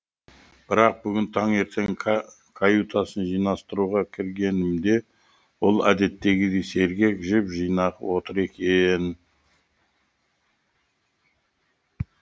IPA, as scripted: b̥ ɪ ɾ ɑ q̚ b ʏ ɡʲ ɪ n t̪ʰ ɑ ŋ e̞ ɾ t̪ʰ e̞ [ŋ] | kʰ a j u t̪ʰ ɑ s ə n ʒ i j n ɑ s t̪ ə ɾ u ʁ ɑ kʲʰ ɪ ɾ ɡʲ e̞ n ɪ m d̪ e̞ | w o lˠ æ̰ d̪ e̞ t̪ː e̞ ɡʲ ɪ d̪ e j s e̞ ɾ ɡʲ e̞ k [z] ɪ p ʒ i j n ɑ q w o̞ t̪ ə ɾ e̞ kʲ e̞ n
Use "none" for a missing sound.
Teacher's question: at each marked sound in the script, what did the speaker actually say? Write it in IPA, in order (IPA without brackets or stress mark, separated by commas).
ŋ, ʒ